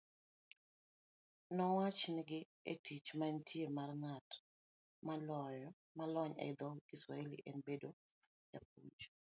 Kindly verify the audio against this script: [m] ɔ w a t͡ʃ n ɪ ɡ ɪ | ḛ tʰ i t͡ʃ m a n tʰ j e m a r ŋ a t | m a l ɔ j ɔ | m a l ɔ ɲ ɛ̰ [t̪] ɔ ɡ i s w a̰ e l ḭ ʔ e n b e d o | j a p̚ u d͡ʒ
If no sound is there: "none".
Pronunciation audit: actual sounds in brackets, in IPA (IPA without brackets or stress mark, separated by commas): n, d̪